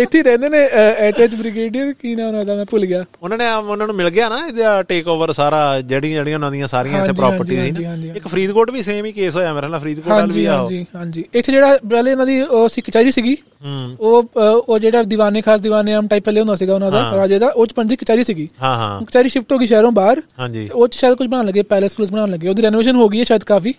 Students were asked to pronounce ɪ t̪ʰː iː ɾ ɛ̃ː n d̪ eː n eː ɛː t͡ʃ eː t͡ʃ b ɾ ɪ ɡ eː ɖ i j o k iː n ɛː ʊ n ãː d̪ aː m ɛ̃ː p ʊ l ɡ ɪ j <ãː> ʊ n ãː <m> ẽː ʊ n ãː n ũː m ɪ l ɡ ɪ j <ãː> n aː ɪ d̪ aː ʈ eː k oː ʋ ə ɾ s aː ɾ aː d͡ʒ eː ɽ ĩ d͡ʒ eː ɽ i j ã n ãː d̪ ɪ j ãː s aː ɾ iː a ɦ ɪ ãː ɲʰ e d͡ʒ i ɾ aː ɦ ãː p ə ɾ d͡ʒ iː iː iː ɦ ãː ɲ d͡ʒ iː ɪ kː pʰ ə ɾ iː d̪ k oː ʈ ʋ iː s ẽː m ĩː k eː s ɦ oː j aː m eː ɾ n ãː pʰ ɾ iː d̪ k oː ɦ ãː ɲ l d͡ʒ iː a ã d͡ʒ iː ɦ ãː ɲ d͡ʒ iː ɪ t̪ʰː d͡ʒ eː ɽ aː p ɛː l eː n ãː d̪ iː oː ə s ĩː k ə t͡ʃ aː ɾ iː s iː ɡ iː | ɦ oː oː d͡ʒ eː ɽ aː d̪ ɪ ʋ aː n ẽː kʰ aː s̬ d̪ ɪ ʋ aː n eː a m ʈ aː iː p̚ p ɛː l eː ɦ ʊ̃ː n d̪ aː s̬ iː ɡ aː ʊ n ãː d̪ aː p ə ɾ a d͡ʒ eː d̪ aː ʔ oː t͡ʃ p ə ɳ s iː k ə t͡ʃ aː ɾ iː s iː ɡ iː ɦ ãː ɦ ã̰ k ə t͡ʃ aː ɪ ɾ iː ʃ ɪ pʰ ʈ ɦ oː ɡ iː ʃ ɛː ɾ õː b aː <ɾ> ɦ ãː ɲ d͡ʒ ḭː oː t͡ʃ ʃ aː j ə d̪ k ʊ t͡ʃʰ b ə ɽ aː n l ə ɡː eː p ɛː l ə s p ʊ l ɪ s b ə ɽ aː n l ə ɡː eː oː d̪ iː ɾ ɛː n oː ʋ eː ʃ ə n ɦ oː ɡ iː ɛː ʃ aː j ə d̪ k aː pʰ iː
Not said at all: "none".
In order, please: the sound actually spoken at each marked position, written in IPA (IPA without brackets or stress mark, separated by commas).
aː, n, aː, ɾ